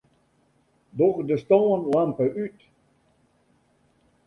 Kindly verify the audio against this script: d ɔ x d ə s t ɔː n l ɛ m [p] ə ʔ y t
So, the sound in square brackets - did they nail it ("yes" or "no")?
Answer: yes